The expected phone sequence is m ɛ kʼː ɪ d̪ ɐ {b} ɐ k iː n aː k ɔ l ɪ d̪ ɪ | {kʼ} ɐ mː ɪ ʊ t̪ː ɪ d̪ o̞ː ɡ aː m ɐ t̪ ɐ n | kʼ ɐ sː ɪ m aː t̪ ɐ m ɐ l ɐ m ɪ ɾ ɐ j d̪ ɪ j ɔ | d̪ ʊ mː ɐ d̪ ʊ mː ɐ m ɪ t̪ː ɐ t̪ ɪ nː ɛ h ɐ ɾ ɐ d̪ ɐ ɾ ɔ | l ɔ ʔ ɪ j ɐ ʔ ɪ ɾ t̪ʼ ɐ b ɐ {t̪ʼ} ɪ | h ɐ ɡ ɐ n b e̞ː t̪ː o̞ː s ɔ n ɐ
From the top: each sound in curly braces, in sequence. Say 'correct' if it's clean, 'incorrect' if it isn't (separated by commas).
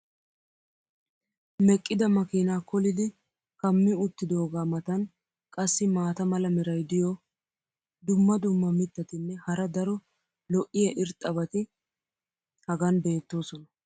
incorrect, incorrect, incorrect